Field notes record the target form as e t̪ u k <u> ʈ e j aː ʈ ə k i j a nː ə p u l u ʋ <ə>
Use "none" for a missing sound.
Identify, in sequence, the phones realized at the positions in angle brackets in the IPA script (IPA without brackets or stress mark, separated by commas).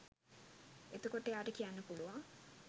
o, a